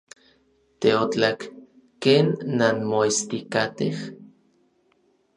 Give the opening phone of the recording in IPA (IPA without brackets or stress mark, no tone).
t̪